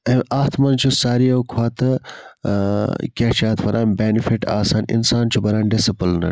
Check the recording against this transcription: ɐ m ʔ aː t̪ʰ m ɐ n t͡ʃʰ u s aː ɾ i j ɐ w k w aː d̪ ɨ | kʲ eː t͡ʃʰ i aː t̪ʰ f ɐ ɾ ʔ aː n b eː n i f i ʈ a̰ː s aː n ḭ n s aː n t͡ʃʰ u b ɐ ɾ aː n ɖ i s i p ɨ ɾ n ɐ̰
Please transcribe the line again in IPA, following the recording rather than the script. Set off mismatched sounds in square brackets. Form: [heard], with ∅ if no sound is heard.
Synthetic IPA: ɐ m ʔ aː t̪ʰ m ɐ n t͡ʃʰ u s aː ɾ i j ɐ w [kʰ] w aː [t̪] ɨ | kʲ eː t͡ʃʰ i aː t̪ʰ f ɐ ɾ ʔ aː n b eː n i f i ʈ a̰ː s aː n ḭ n s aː n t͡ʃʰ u b ɐ ɾ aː n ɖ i s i p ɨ [l] n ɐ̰